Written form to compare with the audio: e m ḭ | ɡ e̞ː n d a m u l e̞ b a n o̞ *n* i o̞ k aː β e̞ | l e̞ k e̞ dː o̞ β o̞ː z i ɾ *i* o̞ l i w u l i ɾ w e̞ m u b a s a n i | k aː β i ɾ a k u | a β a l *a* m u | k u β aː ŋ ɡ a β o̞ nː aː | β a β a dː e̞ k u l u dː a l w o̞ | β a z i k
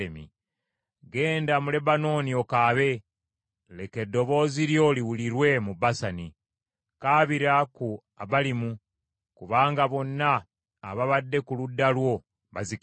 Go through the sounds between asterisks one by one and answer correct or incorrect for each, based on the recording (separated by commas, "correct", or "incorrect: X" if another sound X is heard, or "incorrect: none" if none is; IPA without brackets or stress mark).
correct, incorrect: j, incorrect: i